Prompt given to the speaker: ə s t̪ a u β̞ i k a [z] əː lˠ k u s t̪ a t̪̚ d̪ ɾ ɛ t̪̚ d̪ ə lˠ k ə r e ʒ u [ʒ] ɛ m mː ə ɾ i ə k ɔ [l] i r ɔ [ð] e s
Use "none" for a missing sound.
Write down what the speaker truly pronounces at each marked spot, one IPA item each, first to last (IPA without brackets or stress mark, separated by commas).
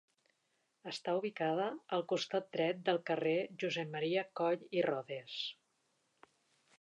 ð, z, ʎ, ð